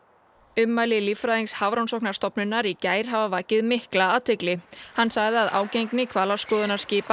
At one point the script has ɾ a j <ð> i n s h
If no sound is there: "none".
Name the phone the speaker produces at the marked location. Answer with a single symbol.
ð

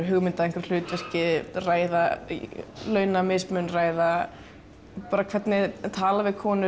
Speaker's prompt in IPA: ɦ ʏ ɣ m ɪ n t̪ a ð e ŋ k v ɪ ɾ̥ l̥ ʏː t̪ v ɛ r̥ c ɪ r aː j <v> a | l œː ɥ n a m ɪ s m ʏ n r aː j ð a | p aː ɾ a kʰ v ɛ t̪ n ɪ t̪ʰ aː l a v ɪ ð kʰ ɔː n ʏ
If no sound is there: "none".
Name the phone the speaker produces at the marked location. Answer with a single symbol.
ð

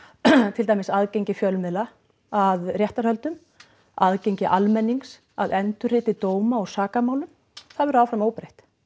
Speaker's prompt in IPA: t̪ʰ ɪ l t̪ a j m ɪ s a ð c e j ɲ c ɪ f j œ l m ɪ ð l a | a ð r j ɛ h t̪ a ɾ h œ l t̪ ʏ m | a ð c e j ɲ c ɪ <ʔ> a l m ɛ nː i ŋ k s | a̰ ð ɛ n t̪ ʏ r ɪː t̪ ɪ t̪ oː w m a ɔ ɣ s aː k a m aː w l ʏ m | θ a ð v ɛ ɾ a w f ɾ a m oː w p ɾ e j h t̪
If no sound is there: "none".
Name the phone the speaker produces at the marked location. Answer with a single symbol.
ʔ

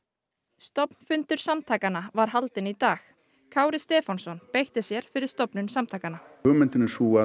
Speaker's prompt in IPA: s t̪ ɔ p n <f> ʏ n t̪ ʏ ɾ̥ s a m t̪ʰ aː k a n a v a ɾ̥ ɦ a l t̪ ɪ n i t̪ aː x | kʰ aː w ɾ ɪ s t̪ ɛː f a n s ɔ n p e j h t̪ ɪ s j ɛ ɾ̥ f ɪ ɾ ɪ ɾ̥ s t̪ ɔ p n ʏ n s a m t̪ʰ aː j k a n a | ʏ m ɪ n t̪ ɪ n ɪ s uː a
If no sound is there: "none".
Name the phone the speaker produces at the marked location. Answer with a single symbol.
f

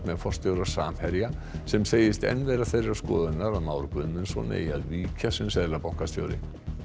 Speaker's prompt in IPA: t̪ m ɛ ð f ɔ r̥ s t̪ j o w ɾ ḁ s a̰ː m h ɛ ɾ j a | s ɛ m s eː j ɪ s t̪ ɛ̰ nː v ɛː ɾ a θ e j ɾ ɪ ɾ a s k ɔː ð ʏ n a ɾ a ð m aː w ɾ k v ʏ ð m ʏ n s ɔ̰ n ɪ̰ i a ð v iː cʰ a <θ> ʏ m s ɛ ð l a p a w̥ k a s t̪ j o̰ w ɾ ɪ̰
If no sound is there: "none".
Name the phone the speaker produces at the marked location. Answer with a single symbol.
s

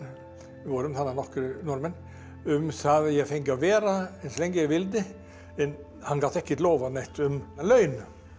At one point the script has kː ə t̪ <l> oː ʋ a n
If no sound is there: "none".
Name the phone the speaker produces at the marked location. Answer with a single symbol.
l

